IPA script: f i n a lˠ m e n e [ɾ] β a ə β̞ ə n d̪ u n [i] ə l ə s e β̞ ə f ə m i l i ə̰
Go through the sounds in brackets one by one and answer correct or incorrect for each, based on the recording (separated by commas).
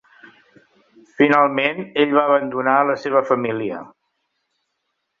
incorrect, incorrect